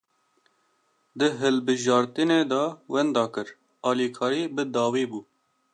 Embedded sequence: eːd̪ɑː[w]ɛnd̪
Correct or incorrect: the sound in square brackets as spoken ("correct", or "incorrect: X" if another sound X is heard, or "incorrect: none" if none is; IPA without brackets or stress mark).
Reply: correct